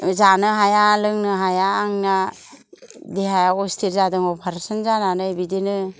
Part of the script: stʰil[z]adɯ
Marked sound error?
no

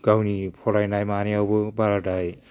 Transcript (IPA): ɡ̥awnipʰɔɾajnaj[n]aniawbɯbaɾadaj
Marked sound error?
yes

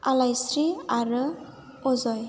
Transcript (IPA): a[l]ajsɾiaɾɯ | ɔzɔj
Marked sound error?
no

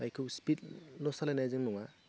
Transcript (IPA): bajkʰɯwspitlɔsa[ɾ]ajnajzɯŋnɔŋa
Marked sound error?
yes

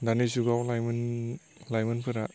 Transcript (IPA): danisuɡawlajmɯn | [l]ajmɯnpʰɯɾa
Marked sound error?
no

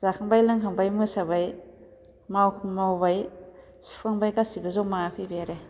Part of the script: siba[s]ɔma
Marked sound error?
yes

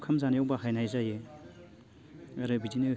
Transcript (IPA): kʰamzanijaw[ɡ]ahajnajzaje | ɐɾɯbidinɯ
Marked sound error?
yes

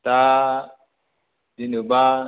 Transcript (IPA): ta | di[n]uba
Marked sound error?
no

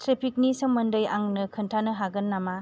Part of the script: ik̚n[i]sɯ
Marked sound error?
no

